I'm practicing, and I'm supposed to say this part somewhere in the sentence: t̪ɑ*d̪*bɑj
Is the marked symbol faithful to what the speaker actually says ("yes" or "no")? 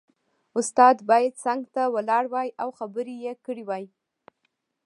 yes